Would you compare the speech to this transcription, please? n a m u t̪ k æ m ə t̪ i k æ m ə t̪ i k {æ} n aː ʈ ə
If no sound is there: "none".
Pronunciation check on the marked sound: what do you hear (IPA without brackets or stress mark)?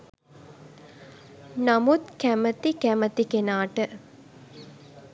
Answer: e